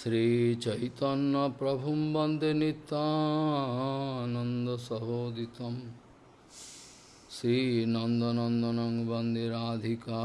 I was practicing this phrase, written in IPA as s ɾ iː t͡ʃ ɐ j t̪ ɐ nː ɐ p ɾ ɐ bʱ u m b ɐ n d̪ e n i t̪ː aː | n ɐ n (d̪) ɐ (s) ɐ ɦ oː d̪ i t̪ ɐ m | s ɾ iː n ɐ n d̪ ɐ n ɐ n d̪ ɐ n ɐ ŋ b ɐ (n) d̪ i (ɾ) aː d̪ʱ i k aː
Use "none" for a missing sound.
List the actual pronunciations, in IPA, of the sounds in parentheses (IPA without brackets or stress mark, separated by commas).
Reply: d̪, s, n, ɾ